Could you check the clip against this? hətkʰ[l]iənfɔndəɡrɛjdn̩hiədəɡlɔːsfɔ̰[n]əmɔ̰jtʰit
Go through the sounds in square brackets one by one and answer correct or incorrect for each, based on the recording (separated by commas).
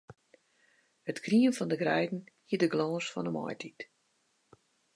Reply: incorrect, correct